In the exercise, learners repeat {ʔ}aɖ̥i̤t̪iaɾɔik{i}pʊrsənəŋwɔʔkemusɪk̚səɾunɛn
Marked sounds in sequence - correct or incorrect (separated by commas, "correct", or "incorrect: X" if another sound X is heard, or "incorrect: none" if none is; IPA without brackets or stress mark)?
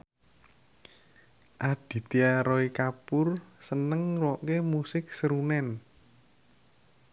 correct, incorrect: a